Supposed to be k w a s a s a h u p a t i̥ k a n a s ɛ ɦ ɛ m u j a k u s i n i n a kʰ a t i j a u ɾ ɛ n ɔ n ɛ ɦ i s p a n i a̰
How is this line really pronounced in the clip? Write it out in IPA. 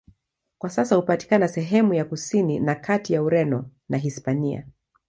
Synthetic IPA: k w a s a s a h u p a t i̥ k a n a s ɛ ɦ ɛ m u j a k u s i n i n a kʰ a t i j a u ɾ ɛ n ɔ n a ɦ i s p a n i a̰